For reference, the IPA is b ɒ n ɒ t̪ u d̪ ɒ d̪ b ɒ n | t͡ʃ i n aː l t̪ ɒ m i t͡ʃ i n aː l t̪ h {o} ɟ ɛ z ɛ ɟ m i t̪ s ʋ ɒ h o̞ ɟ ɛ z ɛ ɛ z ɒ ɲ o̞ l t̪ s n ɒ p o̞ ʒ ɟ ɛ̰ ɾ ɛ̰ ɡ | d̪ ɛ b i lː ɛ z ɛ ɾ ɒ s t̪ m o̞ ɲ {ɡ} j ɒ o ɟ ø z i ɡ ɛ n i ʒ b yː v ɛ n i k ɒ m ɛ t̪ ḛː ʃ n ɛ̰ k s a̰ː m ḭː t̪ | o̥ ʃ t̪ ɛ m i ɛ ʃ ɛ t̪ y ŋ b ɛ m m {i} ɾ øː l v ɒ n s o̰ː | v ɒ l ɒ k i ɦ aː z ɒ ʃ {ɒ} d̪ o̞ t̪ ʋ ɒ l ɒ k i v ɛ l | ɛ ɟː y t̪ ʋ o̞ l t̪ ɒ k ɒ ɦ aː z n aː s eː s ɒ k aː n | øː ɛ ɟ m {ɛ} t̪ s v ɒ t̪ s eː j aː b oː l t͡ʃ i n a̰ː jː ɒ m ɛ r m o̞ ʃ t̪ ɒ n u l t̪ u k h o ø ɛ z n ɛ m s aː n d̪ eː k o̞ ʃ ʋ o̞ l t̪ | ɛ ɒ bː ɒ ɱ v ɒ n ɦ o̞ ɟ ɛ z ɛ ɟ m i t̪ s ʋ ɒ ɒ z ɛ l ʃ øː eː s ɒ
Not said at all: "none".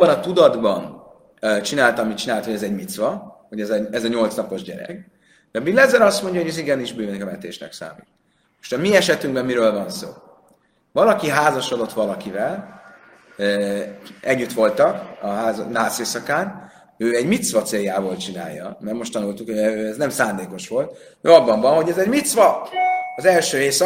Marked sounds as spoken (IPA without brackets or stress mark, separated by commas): o, ɟ, i, o, i